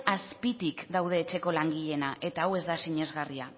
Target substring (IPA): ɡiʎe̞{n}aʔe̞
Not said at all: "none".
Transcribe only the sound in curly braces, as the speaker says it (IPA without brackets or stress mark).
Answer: n